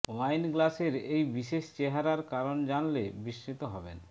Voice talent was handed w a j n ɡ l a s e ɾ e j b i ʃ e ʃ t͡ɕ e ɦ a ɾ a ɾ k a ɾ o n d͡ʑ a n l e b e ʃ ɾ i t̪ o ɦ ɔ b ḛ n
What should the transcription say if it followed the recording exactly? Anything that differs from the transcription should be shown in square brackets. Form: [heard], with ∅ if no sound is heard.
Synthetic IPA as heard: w a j n ɡ l a s e ɾ e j b i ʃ e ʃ t͡ɕ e ɦ a ɾ a ɾ k a ɾ o n d͡ʑ a n l e b [i] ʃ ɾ i t̪ o ɦ ɔ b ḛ n